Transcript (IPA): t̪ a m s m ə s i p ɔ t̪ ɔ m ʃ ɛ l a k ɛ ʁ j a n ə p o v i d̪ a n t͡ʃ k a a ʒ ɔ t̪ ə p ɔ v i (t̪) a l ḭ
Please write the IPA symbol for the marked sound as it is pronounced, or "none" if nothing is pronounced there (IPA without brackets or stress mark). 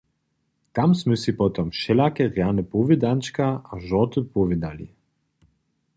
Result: d̪